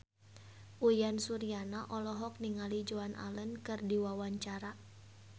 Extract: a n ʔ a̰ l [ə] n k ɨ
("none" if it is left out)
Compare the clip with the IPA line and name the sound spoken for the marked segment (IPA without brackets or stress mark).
ə